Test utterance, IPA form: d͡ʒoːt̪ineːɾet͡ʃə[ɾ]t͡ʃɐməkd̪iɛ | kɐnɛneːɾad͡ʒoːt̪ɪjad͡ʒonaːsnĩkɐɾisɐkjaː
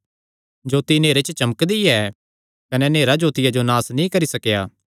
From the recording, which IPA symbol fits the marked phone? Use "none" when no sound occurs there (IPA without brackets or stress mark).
none